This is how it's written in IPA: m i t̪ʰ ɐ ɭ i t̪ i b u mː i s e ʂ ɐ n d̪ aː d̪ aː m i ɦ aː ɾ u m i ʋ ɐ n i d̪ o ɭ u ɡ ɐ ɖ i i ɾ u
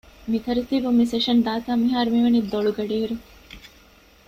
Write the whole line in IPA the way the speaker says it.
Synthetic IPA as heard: m i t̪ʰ ɐ ɾ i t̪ i b u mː i s e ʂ ɐ n d̪ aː t̪ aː m i ɦ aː ɾ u m i ʋ ɐ n i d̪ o ɭ u ɡ ɐ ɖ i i ɾ u